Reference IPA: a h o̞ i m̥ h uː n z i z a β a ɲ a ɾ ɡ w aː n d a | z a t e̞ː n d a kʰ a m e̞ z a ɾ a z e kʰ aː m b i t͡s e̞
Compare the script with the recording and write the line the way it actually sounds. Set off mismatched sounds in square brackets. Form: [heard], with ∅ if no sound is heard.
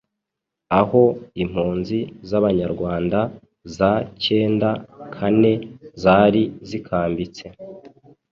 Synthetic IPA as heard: a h o̞ i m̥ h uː n z i z a β a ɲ a ɾ ɡ w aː n d a | z a [c] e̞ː n d a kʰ a [n] e̞ z a ɾ [i] z [i] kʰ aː m b i t͡s e̞